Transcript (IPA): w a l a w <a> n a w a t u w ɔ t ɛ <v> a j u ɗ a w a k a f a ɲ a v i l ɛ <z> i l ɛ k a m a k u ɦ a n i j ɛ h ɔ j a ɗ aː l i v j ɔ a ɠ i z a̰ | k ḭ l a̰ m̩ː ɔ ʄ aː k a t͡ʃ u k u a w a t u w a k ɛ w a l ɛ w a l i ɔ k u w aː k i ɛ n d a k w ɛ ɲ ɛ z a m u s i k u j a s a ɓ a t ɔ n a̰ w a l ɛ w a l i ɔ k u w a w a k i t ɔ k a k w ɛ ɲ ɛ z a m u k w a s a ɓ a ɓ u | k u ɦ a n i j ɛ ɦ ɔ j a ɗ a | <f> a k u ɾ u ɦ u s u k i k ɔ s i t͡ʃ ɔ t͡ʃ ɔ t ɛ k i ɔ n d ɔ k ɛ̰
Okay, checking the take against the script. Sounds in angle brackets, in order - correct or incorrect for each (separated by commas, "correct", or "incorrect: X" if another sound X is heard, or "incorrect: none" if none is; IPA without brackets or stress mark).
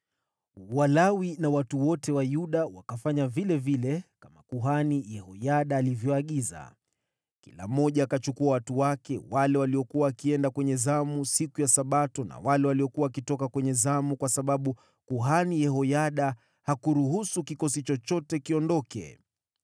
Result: incorrect: i, incorrect: w, incorrect: v, incorrect: h